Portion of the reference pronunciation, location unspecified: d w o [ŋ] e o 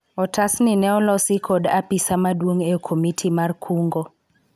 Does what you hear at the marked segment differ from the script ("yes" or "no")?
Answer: no